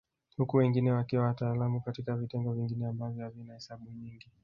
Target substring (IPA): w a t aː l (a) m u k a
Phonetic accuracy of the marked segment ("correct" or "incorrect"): correct